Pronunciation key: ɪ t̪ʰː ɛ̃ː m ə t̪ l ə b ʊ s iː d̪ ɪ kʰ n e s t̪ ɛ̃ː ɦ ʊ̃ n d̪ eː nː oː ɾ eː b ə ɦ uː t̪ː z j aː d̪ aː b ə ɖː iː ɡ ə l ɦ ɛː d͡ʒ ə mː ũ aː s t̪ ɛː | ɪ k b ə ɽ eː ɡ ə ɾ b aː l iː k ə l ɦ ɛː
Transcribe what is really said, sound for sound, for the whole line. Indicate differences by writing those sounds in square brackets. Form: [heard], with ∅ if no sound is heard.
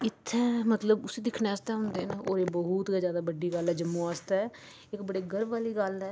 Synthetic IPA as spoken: ɪ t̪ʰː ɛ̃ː m ə t̪ l ə b ʊ s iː d̪ ɪ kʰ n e s t̪ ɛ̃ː ɦ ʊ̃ n d̪ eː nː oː ɾ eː b ə ɦ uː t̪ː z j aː d̪ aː b ə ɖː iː ɡ ə l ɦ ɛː d͡ʒ ə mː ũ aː s t̪ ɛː | ɪ k b ə ɽ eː ɡ ə ɾ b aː l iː [ɡ] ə l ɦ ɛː